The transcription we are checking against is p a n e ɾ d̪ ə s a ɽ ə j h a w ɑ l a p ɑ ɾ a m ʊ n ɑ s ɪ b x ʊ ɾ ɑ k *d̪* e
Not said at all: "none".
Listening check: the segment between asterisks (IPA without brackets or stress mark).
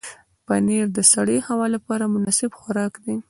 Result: d̪